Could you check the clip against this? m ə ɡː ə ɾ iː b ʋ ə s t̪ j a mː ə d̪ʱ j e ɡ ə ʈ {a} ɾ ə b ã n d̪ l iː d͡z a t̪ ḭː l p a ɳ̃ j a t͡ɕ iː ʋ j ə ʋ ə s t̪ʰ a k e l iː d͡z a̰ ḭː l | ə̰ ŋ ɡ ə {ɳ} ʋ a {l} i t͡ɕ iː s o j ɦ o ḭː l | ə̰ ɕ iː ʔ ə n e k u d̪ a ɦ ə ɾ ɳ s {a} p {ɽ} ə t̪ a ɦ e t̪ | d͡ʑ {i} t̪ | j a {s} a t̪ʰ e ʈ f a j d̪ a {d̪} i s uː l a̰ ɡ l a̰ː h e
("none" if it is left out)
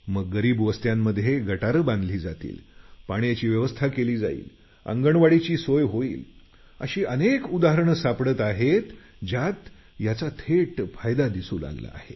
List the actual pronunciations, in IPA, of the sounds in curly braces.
a, ɳ, ɽ, a, ɽ, a, t͡s, d̪

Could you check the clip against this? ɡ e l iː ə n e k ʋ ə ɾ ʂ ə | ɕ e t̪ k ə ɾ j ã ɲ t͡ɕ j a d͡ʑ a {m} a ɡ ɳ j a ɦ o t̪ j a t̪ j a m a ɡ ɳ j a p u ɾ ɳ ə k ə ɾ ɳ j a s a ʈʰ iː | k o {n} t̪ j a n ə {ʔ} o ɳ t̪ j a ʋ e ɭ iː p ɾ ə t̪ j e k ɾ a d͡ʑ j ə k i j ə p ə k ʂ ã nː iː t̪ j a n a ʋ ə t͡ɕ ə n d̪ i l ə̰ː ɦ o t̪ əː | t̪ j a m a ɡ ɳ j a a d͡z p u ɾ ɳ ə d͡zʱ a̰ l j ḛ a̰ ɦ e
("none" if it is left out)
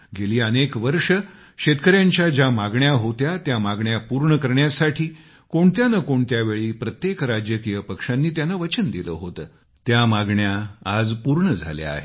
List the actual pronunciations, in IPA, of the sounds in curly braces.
m, ɳ, k

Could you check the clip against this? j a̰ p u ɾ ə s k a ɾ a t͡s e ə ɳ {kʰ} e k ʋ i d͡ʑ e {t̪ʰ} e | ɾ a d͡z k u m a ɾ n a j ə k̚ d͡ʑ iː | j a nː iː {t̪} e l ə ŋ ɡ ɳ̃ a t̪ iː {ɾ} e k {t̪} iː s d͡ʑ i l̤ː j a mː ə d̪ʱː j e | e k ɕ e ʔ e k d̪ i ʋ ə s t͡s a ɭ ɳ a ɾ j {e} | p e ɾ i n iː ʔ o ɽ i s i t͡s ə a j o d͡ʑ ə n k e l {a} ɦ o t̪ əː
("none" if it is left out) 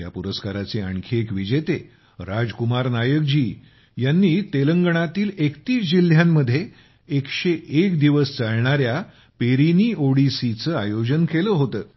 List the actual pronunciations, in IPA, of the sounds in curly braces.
kʰ, t̪, t̪, l, t̪, a, ə

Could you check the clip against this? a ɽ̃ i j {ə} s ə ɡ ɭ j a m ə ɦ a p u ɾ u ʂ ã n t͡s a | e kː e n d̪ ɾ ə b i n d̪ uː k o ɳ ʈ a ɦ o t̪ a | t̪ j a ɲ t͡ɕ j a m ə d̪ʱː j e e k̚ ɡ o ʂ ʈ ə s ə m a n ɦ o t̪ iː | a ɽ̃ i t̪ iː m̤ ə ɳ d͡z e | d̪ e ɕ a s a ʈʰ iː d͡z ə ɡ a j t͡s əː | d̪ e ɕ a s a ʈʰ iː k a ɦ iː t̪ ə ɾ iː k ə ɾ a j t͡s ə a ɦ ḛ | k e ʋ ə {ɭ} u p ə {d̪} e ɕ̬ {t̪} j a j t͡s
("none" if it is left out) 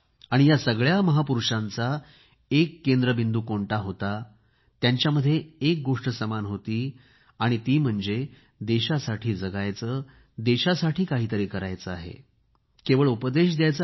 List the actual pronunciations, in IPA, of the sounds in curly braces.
a, ɭ, d̪, d̪

